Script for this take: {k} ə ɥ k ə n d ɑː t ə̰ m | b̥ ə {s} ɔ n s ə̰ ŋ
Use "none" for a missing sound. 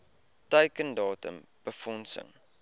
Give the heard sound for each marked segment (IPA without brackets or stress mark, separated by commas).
t, f